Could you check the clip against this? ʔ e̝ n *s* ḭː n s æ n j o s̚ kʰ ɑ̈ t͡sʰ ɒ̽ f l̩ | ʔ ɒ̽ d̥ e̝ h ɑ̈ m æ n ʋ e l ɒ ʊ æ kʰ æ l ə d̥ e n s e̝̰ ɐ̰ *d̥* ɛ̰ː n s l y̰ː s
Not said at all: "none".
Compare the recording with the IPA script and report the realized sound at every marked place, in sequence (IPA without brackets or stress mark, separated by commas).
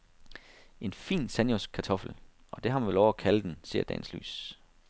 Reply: f, d̥